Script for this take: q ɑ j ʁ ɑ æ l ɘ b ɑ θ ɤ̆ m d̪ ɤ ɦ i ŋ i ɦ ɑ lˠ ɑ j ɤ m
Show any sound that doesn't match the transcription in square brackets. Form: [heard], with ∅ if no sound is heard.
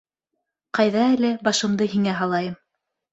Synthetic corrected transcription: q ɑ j [ð] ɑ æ l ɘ b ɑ [ʃ] ɤ̆ m d̪ ɤ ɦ i ŋ [æ] ɦ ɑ lˠ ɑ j ɤ m